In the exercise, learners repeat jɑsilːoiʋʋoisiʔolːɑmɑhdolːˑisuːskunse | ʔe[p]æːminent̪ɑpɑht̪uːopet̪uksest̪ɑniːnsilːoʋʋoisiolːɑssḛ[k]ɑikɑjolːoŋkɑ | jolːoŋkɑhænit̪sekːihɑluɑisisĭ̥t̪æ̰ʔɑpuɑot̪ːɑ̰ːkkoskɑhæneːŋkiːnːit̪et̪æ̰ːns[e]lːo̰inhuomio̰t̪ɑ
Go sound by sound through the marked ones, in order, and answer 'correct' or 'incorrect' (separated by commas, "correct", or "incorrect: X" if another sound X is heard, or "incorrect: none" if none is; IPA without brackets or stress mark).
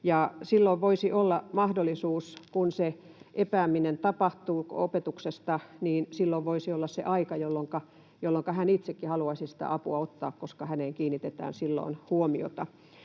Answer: correct, incorrect: ʔ, incorrect: i